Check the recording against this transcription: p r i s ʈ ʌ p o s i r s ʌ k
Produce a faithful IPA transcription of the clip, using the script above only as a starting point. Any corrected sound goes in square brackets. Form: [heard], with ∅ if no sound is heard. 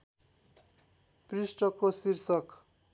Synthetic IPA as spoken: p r i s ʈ ʌ [k] o s i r s ʌ k